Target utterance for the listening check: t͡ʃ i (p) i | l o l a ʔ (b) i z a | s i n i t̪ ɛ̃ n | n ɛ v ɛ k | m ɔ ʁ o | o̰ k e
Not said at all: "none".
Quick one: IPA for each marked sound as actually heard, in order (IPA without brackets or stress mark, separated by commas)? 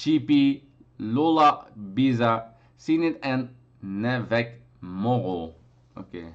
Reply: p, b